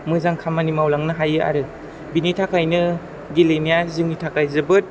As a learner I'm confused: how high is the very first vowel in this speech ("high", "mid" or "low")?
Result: high